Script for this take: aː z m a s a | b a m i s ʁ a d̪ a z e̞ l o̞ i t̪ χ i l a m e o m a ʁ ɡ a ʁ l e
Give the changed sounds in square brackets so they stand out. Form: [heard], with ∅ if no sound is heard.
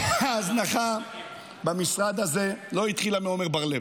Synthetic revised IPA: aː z [n] a [χ] a | b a m i s ʁ a d̪ a z e̞ l o̞ i t̪ χ i l a m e o m [e] ʁ [b] a ʁ l e